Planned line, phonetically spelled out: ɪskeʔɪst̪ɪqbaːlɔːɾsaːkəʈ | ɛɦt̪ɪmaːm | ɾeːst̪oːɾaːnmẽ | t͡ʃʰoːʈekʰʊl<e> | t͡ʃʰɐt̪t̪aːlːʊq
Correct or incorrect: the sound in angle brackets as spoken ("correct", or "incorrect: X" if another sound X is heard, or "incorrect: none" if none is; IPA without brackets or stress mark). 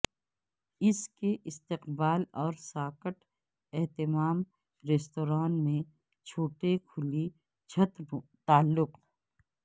incorrect: i